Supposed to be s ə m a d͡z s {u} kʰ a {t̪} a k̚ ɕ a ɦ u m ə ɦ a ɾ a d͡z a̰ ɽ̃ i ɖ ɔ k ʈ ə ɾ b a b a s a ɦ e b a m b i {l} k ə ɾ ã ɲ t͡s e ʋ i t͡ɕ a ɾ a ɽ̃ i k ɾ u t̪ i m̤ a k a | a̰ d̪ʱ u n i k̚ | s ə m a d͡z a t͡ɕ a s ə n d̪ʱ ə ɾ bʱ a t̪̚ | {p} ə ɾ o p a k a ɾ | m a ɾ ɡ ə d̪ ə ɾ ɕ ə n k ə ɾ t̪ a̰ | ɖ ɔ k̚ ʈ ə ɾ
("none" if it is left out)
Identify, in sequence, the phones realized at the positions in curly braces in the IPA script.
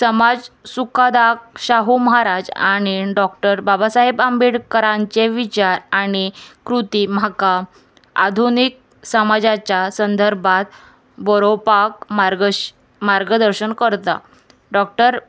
u, d̪, ɽ, b

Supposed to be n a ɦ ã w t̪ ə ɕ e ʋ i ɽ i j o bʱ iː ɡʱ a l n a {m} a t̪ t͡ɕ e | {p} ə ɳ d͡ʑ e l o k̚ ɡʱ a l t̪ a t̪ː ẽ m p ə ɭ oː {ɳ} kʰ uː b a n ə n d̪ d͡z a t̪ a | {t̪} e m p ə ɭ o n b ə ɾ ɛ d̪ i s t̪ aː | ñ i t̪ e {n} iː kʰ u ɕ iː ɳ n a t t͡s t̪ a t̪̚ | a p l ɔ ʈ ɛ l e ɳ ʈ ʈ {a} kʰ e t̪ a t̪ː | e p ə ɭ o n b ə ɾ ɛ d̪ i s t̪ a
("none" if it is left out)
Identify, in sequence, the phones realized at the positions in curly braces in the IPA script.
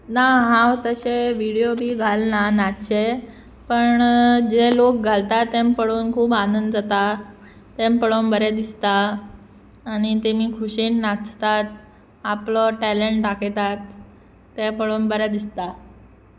n, p, n, t̪, m, a

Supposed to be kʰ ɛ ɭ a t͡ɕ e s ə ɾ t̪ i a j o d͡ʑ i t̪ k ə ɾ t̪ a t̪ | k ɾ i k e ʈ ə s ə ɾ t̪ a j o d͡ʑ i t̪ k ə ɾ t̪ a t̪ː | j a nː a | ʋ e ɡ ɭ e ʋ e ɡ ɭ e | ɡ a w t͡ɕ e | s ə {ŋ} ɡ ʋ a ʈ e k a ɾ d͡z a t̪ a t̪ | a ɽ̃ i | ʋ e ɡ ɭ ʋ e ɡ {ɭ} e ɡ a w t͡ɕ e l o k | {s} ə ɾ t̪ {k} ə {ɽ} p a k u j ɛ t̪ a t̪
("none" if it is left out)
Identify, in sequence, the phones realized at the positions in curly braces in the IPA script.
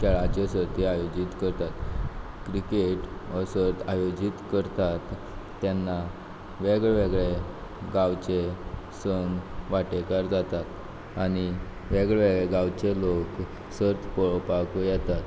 ŋ, ɭ, s, p, ɭ

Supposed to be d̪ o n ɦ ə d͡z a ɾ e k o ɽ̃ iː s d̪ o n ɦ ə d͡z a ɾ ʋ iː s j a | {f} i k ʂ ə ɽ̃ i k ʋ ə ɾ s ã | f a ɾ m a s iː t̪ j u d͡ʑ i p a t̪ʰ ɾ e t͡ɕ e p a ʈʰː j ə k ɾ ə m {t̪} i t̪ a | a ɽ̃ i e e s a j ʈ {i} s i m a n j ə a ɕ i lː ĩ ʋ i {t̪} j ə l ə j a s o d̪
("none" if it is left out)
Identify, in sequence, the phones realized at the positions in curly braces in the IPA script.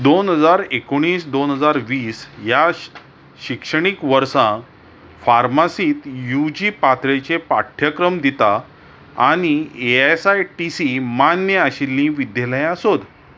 ɕ, d̪, i, d̪

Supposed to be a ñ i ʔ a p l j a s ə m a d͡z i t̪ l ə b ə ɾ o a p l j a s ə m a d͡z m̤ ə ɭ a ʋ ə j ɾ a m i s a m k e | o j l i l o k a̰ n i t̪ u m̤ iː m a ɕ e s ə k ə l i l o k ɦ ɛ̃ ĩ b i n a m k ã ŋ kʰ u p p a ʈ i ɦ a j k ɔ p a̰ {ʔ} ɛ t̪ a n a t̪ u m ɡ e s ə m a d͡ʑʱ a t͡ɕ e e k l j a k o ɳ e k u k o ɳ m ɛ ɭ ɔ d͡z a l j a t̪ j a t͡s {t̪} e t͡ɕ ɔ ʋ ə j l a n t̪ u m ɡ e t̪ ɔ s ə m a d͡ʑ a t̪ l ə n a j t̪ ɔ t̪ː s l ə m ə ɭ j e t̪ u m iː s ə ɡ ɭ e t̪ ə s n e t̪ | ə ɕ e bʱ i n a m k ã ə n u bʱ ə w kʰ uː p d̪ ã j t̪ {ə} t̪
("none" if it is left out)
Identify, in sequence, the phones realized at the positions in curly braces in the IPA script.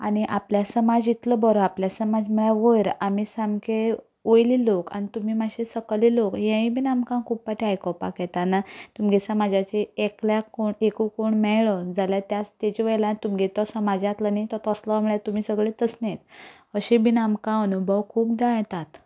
k, t̪, a

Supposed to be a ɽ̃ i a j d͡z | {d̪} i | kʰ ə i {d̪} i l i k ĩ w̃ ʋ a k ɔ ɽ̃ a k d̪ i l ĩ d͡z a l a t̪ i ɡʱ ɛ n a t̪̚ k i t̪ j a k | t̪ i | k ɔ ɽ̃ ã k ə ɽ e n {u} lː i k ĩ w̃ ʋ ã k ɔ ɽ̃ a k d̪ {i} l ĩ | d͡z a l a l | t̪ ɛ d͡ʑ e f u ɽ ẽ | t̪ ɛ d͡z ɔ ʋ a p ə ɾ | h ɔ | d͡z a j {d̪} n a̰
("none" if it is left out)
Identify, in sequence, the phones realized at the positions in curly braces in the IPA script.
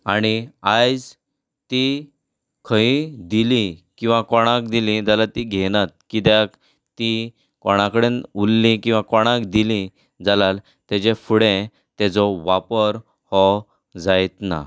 t̪, d̪, u, i, t̪

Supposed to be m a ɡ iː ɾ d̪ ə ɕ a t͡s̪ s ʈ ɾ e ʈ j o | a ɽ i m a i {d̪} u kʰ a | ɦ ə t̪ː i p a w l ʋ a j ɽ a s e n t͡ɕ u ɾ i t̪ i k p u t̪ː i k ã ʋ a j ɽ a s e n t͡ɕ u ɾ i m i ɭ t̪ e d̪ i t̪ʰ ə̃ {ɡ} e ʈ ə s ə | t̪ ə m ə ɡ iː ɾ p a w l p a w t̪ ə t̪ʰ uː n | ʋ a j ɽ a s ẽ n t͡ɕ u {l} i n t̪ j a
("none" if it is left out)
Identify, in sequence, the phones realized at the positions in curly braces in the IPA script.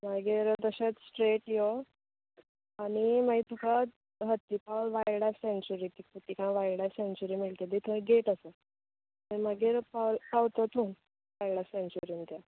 t̪, ɡ, ɾ

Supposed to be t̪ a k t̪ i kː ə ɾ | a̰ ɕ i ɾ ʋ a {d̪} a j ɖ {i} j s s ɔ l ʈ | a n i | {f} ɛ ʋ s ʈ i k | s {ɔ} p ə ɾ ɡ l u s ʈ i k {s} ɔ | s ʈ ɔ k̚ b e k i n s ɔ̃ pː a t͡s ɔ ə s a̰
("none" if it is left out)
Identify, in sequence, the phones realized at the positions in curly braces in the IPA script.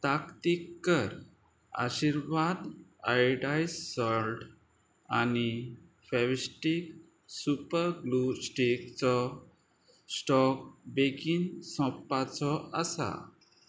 d̪, a, f, u, t͡s

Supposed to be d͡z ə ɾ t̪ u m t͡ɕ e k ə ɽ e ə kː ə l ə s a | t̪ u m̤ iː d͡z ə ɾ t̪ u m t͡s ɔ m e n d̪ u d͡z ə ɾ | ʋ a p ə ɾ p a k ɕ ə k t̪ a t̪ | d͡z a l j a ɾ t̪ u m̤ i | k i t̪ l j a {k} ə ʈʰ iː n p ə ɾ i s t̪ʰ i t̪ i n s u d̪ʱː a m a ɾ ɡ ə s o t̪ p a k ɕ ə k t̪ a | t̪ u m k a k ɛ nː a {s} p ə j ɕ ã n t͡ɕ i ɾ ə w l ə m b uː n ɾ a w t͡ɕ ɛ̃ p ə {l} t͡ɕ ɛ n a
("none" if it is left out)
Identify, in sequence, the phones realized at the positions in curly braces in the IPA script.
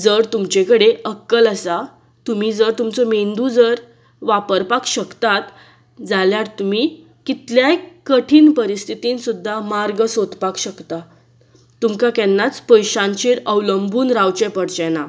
k, t͡s, ɽ

